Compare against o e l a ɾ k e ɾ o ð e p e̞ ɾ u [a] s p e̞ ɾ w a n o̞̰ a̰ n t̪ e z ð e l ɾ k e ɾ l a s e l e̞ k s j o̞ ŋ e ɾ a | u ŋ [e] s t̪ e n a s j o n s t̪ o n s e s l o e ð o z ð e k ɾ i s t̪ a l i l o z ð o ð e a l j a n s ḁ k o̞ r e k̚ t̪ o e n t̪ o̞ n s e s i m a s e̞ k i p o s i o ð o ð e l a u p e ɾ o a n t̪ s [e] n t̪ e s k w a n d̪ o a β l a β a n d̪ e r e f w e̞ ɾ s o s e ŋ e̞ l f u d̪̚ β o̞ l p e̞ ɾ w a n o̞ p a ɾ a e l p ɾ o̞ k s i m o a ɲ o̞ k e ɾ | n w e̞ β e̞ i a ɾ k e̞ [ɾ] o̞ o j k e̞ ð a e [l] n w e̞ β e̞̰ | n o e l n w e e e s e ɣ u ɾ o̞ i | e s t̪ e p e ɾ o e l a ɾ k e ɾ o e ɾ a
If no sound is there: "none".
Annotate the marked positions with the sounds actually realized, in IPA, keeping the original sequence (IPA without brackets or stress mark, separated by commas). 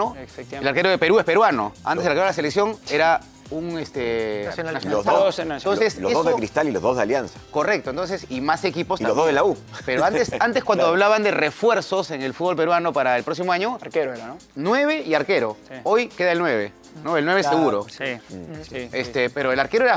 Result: e, e, a, ɾ, l